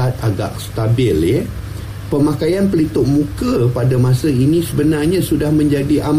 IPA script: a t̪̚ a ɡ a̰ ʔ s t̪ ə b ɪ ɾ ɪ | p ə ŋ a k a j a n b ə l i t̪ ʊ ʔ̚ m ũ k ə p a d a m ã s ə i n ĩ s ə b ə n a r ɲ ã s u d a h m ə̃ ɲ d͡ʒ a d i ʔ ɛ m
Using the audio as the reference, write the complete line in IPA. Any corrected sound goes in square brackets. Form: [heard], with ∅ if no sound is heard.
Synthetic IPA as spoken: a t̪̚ a ɡ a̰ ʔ s t̪ [a] b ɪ [l] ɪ | p ə [m] a k a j a n [p] ə l i t̪ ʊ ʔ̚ m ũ k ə p a d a m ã s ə i n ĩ s ə b ə n a r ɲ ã s u d a h m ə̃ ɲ d͡ʒ a d i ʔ [a] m